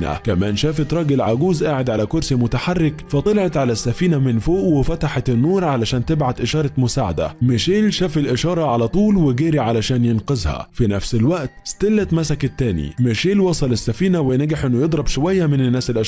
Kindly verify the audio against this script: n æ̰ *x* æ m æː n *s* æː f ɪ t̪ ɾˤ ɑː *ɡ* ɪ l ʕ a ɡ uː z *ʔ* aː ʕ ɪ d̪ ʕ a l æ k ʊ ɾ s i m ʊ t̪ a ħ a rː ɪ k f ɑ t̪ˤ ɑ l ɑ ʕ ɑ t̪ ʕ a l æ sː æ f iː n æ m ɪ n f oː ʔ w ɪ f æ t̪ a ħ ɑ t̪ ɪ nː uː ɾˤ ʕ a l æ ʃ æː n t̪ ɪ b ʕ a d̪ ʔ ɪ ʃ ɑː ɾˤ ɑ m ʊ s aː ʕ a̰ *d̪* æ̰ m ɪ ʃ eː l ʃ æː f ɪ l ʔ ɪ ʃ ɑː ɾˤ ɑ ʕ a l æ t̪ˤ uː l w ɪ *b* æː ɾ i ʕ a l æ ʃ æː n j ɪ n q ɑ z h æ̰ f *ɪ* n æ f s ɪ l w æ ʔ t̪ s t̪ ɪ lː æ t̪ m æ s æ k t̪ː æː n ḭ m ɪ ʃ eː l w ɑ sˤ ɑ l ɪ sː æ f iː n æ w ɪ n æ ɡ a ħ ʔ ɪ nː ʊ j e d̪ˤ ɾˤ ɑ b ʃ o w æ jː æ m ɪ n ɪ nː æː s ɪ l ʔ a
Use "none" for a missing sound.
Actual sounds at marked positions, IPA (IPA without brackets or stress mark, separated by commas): k, ʃ, ɡ, ʔ, d̪, ɡ, i